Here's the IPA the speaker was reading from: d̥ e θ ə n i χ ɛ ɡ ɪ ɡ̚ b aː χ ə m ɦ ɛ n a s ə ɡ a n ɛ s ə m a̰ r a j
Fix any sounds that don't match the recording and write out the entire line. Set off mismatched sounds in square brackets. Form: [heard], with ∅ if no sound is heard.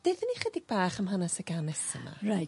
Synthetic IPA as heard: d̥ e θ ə n i χ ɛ [d] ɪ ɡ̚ b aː χ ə m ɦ [a] n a s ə ɡ a n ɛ s ə m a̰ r a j